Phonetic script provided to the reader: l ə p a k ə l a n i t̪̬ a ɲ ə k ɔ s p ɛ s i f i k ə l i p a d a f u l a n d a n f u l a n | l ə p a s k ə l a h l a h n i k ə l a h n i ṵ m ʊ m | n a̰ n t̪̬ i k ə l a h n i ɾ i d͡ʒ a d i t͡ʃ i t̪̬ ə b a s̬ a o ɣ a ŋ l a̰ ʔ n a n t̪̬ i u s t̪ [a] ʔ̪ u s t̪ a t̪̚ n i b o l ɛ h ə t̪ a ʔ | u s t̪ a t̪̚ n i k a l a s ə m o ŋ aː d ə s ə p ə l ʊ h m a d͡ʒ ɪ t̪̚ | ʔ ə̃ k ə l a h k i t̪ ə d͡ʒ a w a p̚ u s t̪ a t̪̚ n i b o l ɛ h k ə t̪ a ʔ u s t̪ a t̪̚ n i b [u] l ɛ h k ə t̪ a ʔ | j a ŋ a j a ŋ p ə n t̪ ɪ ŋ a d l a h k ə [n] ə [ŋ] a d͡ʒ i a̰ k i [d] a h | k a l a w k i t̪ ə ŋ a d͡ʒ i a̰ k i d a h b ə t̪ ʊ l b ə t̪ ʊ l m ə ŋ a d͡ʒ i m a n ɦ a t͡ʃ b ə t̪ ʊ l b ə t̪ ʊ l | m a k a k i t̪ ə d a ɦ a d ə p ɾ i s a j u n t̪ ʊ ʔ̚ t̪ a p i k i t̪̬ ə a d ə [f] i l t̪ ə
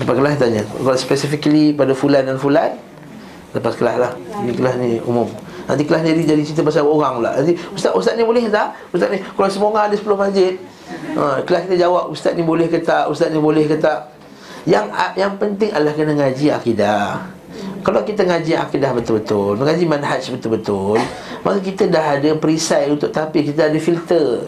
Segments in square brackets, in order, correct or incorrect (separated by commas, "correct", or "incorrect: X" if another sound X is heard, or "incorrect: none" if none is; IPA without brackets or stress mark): correct, incorrect: o, correct, correct, correct, correct